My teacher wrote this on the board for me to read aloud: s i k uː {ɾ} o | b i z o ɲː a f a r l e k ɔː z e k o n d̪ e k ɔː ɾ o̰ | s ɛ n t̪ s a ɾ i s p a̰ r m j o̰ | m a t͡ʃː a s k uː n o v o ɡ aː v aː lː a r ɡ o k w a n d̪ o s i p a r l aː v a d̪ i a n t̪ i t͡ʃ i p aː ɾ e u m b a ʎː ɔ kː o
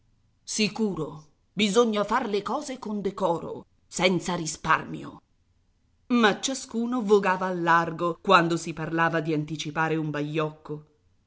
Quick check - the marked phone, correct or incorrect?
correct